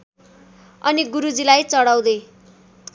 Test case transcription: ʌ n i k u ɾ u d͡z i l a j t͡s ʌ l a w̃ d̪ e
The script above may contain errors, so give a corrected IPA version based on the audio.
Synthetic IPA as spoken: ʌ n i ɡ u ɾ u d͡z i l a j t͡s ʌ ɽ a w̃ d̪ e